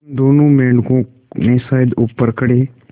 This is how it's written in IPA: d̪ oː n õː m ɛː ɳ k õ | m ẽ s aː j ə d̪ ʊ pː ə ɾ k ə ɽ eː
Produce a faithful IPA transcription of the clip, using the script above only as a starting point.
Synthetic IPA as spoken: d̪ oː n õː m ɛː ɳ k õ | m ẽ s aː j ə d̪ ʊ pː ə ɾ k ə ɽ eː